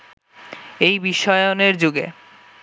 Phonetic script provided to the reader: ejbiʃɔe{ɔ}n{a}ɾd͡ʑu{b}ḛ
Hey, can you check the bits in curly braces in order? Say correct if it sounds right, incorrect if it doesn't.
incorrect: o, incorrect: e, incorrect: ɡ

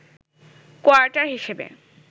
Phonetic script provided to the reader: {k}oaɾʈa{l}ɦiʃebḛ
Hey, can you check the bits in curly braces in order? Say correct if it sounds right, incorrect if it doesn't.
correct, incorrect: ɾ

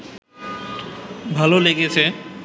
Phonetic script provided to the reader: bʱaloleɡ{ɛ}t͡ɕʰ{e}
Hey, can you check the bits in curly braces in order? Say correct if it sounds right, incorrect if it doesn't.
incorrect: e, correct

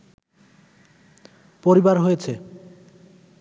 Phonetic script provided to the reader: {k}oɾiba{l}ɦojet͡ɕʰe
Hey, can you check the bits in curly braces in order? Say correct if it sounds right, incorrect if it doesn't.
incorrect: p, incorrect: ɾ

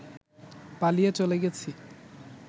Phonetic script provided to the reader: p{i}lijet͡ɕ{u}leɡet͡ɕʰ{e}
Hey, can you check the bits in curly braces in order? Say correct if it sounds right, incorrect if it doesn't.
incorrect: a, incorrect: o, incorrect: i

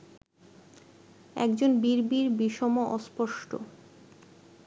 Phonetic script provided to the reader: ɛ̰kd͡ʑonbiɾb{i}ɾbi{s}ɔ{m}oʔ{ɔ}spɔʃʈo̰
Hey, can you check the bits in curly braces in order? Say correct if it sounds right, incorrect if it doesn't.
correct, incorrect: ʃ, correct, correct

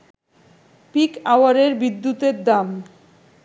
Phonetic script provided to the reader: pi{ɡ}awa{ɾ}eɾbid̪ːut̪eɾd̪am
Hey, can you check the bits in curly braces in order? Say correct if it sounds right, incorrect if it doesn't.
incorrect: k, correct

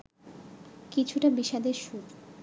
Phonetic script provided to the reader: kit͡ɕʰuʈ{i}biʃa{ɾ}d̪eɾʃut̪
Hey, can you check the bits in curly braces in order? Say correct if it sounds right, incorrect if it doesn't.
incorrect: a, incorrect: none

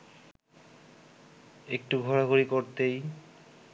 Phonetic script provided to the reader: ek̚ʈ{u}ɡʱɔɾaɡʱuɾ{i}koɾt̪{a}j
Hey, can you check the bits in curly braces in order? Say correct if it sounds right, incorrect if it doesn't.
correct, correct, incorrect: e

